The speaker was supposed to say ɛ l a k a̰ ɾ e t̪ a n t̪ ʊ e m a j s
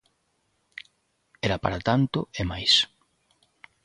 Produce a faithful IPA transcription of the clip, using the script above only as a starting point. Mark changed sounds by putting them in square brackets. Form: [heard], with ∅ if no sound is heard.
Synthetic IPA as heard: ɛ [ɾ] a [p] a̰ ɾ [a] t̪ a n t̪ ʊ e m a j s

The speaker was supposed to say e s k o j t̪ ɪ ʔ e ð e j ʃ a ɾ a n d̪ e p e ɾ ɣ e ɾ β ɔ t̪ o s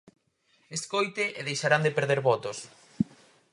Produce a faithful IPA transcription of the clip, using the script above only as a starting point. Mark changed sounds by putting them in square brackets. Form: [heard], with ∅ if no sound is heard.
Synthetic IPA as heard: e s k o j t̪ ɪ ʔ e ð e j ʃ a ɾ a n d̪ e p e ɾ [ð] e ɾ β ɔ t̪ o s

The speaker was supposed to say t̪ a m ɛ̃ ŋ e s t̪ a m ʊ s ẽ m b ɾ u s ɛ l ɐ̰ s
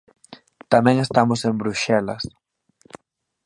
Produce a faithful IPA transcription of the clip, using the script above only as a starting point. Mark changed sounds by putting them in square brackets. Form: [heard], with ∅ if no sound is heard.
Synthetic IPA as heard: t̪ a m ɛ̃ ŋ e s t̪ a m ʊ s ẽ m b ɾ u [ʃ] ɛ l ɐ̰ s

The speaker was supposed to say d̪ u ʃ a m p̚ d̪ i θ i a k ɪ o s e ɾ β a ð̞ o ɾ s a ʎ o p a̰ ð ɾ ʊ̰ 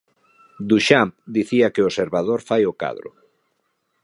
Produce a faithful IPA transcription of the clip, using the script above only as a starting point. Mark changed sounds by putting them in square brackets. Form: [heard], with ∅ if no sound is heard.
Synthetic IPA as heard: d̪ u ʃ a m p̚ d̪ i θ i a k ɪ o s e ɾ β a ð̞ o ɾ [f] a [j] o [k] a̰ ð ɾ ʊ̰

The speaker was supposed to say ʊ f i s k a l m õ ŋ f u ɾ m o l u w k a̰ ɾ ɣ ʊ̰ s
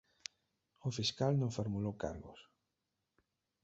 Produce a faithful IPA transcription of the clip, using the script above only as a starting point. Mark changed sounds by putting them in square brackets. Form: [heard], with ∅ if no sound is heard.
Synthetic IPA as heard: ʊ f i s k a l [n] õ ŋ f [o] ɾ m [u] l [o] w k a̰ ɾ ɣ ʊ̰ s

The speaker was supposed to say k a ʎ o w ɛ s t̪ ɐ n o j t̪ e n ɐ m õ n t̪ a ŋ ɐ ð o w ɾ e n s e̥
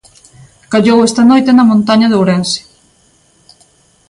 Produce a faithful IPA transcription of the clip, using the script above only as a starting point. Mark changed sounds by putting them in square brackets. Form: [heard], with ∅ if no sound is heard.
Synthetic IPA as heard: k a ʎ o w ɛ s t̪ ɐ n o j t̪ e n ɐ m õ n t̪ a [ɲ] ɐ ð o w ɾ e n s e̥

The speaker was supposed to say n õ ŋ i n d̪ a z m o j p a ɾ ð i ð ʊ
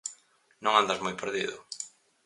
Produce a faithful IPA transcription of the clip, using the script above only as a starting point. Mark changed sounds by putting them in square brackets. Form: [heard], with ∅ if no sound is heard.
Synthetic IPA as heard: n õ ŋ [a] n d̪ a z m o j p [e] ɾ ð i ð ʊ

